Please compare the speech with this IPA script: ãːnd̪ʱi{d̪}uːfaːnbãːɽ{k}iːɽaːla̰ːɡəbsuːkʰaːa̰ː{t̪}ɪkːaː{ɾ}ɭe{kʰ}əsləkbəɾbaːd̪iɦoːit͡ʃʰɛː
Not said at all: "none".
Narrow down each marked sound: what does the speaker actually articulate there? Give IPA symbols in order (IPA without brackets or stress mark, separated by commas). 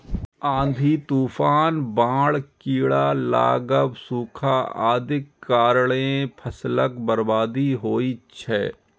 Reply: t̪, k, d̪, ɾ, pʰ